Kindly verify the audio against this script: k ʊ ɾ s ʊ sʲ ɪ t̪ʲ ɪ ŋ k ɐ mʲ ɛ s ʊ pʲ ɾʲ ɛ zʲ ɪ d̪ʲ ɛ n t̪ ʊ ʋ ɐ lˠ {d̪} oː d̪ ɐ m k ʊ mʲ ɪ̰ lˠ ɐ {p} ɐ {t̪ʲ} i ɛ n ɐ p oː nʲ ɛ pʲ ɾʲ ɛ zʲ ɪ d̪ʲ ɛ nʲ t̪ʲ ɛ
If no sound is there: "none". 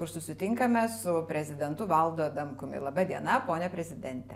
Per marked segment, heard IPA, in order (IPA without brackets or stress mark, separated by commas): d̪, b, d̪ʲ